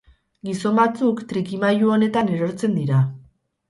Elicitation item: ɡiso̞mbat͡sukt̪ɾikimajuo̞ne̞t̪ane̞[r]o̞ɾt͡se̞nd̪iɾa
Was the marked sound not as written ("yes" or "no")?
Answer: yes